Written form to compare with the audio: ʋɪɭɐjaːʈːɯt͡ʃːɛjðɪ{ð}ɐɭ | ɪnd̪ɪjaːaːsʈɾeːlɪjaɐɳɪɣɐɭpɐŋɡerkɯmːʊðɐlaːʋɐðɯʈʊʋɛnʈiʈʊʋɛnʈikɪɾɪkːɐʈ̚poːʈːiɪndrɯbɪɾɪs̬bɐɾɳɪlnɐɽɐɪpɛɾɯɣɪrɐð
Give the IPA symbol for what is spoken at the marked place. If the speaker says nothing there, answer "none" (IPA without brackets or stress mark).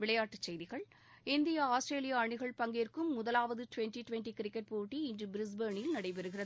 ɣ